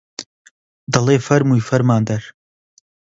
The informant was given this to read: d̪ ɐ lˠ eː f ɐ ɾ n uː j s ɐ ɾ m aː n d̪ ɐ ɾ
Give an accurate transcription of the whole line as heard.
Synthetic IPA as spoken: d̪ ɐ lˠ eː f ɐ ɾ m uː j f ɐ ɾ m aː n d̪ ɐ ɾ